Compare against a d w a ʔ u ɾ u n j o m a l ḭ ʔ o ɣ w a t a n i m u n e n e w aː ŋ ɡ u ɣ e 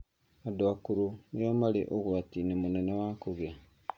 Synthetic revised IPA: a d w a k u ɾ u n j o m a l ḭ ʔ o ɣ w a t i n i m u n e n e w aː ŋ k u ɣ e